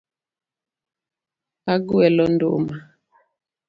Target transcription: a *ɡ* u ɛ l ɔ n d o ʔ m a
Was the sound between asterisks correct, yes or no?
yes